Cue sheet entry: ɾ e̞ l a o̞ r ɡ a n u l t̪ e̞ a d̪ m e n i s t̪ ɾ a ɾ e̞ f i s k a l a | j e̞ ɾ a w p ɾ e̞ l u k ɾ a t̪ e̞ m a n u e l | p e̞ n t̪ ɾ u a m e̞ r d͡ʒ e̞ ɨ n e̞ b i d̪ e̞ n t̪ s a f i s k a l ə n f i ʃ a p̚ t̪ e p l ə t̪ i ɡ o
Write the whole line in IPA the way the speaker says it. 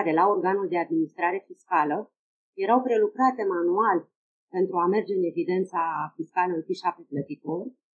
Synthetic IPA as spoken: ɾ e̞ l a o̞ r ɡ a n u l d̪ e̞ a d̪ m i n i s t̪ ɾ a ɾ e̞ f i s k a l ə | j e̞ ɾ a w p ɾ e̞ l u k ɾ a t̪ e̞ m a n u a l | p e̞ n t̪ ɾ u a m e̞ r d͡ʒ e̞ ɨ n e̞ v i d̪ e̞ n t̪ s a f i s k a l ə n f i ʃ a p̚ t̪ e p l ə t̪ i k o